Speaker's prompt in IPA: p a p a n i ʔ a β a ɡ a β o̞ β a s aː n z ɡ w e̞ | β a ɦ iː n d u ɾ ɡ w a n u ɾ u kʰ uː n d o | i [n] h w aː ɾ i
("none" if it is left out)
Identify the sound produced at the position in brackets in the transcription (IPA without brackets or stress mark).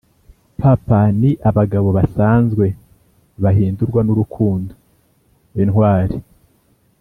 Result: n